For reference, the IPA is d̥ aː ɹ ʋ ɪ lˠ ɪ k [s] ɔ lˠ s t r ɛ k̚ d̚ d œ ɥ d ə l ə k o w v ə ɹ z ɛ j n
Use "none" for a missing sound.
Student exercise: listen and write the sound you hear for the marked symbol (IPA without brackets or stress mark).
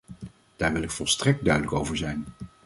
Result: f